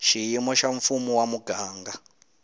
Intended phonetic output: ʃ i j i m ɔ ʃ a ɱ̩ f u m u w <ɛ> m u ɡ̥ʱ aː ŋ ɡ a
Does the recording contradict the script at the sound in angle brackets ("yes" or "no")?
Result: yes